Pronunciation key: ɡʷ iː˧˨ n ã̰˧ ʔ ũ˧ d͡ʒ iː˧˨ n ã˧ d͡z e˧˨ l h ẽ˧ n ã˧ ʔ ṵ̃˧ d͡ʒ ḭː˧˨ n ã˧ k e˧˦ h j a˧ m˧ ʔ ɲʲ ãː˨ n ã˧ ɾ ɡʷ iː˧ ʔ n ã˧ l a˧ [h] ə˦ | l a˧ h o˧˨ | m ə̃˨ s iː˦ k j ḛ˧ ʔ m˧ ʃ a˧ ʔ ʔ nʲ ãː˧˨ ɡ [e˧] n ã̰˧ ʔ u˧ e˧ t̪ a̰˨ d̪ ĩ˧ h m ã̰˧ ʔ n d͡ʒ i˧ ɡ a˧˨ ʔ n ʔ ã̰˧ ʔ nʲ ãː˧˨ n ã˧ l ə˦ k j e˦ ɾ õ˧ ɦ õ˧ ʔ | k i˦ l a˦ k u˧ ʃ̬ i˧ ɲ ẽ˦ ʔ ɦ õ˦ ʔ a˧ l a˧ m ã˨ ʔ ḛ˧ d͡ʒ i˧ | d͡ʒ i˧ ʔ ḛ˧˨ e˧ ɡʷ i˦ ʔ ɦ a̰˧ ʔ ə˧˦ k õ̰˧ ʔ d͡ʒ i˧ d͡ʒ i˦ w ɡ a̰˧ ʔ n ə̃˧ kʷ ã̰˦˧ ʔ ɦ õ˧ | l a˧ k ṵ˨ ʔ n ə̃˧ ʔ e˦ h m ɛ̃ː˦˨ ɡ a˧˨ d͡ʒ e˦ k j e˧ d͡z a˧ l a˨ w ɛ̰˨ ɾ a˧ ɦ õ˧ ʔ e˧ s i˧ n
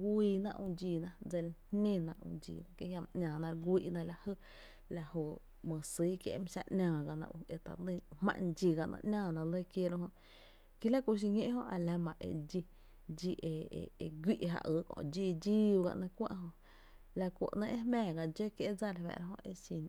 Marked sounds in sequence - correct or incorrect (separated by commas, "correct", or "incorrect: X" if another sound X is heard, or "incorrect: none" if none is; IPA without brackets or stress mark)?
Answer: correct, incorrect: a˧